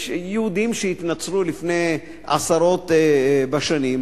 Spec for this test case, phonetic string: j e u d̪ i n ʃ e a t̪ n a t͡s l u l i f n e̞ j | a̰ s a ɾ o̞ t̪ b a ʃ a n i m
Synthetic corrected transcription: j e u d̪ i m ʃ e i t̪ n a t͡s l u l i f n e̞ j | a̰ s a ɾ o̞ t̪ b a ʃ a n i m